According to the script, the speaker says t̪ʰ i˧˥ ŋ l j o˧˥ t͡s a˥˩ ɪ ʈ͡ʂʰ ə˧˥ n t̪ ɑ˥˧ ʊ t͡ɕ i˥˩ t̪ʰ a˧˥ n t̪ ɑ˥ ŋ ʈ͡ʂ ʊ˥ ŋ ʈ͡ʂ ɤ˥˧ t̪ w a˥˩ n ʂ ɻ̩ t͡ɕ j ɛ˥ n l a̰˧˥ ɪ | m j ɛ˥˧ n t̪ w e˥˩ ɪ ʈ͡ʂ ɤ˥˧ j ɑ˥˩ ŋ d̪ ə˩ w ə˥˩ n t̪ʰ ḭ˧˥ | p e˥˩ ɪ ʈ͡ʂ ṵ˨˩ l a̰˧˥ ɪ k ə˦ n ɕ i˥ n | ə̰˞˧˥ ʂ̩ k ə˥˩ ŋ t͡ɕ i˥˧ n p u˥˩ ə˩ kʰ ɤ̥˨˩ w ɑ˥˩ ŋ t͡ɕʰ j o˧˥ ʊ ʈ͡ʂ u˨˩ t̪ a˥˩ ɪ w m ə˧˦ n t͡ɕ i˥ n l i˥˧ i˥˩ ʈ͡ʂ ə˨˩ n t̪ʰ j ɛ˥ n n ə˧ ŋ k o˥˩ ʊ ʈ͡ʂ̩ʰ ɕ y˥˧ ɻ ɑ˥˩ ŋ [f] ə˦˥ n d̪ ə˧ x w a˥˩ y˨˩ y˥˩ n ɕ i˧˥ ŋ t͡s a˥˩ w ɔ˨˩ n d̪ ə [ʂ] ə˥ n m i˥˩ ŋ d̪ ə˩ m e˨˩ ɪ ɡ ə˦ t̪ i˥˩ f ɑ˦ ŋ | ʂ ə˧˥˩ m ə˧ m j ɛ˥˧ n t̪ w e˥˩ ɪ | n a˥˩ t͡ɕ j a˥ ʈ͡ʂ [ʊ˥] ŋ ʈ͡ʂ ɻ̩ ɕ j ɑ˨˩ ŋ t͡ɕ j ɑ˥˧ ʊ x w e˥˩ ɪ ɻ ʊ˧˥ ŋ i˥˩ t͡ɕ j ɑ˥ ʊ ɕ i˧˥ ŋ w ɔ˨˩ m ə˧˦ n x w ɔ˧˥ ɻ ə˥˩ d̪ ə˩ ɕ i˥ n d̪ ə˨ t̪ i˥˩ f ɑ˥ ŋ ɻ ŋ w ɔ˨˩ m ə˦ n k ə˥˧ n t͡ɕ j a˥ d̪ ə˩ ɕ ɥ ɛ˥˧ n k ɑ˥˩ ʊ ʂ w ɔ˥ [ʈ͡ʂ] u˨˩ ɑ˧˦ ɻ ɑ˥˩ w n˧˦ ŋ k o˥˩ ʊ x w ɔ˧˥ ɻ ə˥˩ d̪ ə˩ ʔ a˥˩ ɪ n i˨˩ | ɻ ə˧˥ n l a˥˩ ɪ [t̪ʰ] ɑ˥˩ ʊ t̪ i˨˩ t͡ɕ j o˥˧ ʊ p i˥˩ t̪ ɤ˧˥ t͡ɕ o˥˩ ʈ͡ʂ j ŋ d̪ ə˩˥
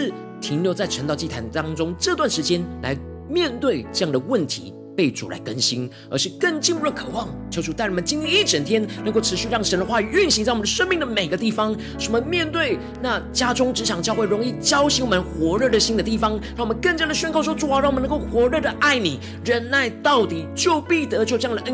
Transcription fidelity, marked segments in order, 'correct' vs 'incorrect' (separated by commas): incorrect, correct, correct, correct, incorrect